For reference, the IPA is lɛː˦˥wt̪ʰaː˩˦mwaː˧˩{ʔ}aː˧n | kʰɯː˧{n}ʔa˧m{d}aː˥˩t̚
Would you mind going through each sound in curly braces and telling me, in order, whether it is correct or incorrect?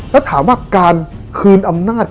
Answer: incorrect, correct, incorrect

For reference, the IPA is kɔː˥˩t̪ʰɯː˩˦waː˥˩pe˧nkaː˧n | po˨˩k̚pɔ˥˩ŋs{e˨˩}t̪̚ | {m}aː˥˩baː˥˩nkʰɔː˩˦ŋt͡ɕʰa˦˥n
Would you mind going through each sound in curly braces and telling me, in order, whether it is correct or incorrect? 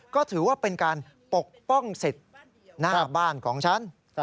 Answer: correct, incorrect

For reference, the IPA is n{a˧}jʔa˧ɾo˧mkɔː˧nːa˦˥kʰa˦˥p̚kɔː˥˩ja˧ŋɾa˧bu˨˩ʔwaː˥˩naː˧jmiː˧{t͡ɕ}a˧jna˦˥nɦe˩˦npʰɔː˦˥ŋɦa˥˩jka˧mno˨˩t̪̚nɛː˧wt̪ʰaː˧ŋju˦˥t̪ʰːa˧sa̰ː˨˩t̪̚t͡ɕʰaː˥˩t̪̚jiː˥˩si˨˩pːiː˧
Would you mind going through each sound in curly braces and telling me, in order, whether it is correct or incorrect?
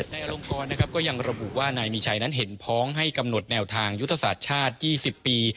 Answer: correct, incorrect

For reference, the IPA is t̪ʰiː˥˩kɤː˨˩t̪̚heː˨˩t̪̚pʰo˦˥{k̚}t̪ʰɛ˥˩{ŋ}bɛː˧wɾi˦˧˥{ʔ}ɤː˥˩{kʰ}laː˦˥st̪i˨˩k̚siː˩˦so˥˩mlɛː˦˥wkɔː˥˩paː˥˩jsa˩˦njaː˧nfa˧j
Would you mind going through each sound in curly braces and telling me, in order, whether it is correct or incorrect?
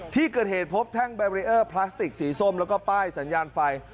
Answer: incorrect, correct, correct, incorrect

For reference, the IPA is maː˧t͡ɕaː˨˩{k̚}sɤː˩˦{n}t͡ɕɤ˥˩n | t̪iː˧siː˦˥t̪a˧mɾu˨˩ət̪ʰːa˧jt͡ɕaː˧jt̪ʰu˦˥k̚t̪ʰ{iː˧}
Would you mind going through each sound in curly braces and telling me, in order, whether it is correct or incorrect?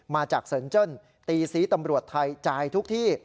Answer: correct, correct, incorrect

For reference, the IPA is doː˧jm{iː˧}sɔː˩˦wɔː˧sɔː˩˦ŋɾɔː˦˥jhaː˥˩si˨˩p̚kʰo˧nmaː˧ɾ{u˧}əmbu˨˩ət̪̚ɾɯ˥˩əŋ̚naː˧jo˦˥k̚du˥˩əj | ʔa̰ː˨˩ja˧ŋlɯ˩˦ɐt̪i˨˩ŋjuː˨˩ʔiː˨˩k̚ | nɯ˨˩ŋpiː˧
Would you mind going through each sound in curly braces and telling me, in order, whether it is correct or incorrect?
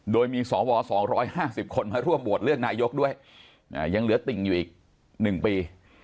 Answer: correct, incorrect

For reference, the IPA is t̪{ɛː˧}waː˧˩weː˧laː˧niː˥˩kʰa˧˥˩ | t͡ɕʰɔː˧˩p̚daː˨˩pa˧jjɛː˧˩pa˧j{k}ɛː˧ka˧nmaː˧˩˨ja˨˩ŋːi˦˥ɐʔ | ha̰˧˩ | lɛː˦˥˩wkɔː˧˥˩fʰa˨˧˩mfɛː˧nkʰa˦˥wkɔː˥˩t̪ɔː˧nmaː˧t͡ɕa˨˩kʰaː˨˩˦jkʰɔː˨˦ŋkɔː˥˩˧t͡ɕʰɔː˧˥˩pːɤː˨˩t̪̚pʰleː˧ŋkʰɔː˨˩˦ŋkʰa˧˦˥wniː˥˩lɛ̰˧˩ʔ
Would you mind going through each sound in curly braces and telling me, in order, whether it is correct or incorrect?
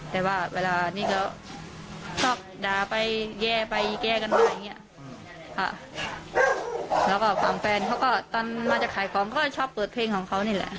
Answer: incorrect, correct

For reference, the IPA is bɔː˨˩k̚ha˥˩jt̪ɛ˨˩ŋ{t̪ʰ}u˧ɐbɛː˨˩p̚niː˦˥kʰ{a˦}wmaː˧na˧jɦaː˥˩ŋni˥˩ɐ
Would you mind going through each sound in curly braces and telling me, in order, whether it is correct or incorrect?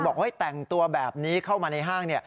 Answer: incorrect, incorrect

